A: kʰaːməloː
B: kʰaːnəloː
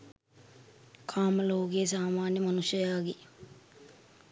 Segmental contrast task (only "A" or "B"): A